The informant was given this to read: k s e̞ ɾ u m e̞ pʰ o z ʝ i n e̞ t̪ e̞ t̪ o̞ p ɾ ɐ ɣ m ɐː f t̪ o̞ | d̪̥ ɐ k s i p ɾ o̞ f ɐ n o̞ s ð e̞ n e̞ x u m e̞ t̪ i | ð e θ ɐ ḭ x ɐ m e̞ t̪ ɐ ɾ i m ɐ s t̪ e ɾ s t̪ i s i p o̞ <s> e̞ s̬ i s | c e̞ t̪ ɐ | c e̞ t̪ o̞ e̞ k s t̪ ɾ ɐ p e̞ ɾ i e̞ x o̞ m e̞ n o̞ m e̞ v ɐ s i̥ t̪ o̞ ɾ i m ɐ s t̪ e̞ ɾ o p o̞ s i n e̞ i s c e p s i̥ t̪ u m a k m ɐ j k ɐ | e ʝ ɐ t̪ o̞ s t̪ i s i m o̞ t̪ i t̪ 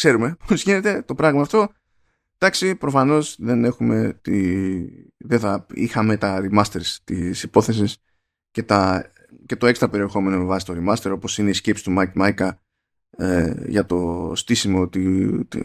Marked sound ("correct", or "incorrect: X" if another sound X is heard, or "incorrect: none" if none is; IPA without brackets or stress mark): incorrect: θ